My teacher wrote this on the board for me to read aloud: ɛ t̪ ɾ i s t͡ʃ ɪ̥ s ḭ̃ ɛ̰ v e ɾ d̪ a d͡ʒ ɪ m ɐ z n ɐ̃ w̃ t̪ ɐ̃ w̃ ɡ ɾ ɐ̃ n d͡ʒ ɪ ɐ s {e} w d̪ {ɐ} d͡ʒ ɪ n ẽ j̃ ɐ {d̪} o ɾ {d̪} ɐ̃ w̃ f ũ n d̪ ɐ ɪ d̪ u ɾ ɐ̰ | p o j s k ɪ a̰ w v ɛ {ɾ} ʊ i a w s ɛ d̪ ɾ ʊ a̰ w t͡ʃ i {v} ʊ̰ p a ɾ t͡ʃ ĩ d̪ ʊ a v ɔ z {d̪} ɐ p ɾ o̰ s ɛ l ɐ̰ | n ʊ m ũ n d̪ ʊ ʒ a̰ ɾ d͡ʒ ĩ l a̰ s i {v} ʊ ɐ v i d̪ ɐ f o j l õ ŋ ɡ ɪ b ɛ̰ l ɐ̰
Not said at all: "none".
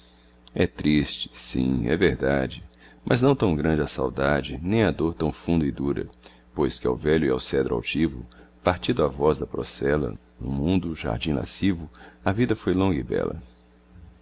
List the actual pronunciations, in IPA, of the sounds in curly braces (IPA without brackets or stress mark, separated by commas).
a, a, d̪, t̪, ʎ, v, d̪, v